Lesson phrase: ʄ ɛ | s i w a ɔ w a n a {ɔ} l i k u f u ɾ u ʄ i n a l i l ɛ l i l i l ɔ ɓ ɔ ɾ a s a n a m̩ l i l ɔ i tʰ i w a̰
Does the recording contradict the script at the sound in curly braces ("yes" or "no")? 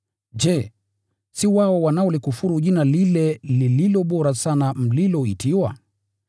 no